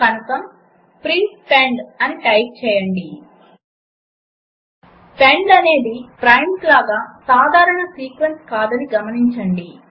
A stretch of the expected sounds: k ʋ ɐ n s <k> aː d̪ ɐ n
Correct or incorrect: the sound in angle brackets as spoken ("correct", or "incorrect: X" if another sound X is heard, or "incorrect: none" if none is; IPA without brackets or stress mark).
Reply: correct